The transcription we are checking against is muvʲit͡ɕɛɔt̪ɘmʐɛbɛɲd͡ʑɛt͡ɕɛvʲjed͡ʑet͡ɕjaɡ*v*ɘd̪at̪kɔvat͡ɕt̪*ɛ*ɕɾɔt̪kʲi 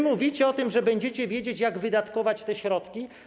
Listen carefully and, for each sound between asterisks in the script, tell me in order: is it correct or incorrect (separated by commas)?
correct, correct